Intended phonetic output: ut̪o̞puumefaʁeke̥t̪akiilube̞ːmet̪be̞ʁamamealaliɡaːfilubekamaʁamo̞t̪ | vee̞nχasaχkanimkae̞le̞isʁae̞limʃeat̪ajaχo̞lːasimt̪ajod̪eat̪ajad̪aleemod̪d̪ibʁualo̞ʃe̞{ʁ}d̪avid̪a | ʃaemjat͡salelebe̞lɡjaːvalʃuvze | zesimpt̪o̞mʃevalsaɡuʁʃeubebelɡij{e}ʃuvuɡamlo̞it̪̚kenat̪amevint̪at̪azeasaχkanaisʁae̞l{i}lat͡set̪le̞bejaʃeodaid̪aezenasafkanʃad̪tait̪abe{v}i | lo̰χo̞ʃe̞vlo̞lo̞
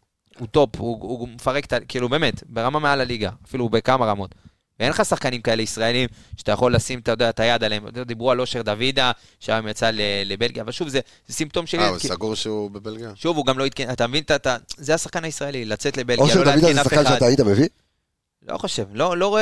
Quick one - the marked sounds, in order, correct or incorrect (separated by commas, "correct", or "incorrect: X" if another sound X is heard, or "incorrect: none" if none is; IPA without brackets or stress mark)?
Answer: correct, incorrect: a, correct, correct